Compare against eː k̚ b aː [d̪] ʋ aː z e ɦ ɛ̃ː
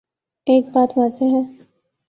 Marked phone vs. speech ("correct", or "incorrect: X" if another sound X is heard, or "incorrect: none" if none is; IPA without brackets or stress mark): incorrect: t̪